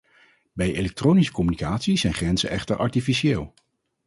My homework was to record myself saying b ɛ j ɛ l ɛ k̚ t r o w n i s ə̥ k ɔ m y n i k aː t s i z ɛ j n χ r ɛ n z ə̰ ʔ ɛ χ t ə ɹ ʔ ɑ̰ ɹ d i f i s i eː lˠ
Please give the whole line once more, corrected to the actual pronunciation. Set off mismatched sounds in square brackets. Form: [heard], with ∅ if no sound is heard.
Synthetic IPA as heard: b ɛ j [e] l ɛ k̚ t r o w n i s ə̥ k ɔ m y n i k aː t s i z ɛ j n χ r ɛ n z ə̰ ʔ ɛ χ t ə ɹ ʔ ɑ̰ ɹ [t] i f i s i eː lˠ